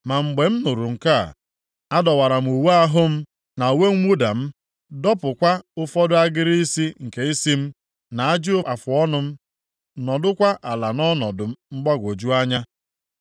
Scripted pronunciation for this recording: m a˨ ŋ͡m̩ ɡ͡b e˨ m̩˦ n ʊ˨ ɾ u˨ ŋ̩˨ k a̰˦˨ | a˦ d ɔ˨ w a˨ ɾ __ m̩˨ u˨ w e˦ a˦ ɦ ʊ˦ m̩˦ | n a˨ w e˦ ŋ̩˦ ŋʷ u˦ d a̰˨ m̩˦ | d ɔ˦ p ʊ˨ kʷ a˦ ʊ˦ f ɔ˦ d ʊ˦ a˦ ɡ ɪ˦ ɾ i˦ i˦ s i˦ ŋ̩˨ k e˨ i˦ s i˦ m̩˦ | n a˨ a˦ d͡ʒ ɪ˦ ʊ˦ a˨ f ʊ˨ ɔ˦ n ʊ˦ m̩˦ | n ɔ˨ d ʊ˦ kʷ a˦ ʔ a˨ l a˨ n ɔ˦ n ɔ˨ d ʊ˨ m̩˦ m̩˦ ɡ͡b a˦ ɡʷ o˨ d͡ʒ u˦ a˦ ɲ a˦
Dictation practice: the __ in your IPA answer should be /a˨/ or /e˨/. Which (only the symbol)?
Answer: a˨